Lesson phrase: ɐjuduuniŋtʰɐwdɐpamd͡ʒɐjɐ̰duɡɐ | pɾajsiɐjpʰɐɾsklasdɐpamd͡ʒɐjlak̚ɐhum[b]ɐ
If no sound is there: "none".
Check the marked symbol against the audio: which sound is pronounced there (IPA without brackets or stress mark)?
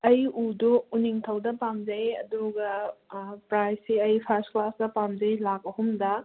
d